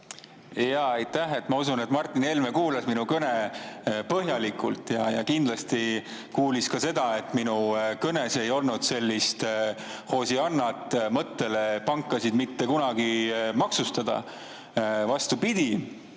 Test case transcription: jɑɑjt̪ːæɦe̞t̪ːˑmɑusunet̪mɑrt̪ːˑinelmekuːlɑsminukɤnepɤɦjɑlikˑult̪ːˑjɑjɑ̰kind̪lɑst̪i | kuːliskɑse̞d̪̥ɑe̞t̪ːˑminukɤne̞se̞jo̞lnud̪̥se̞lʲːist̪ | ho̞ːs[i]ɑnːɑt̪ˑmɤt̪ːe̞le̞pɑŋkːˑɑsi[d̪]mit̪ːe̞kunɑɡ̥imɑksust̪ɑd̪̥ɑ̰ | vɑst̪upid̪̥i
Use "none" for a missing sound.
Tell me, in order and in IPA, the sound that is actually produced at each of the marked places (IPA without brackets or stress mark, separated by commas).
i, d̪